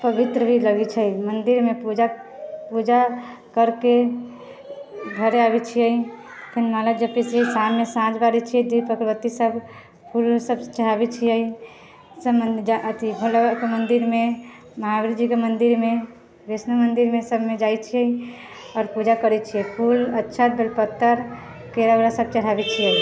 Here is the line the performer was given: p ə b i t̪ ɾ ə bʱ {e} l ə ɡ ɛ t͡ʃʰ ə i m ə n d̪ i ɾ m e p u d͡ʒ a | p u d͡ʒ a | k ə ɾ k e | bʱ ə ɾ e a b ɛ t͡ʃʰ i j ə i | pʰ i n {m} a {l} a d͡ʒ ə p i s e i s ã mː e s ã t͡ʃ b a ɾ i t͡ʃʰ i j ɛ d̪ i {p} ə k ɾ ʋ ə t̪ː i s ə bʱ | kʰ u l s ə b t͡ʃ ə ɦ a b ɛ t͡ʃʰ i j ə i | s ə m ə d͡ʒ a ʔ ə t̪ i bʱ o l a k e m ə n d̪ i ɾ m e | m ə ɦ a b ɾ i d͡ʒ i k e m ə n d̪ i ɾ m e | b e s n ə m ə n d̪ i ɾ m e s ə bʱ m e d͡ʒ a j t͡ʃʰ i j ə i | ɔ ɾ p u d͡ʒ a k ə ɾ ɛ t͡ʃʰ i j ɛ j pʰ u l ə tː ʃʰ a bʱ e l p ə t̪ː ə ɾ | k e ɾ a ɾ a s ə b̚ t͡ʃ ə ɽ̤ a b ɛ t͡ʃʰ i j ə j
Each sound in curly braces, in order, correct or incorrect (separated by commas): incorrect, correct, correct, correct